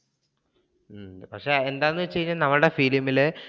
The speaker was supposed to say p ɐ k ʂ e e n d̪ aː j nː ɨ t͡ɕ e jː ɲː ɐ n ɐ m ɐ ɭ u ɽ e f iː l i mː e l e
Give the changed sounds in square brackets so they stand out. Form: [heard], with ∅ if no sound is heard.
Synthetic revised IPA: p ɐ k ʂ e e n d̪ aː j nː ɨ t͡ɕ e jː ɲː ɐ n ɐ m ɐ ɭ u ɽ e f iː l i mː [i] l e